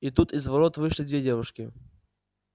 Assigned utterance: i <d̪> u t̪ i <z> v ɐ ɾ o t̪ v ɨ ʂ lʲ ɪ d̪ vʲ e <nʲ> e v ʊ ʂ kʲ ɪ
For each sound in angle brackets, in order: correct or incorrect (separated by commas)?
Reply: incorrect, correct, incorrect